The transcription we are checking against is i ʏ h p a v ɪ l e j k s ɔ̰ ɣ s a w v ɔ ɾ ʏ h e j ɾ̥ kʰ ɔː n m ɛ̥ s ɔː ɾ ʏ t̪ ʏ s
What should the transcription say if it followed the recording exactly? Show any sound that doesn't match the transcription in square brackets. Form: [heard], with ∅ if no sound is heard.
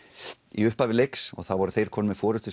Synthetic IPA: i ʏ h p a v ɪ l e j k s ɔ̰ ɣ [θ] a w v ɔ ɾ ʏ [θ] e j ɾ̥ kʰ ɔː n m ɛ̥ [f] ɔː ɾ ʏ t̪ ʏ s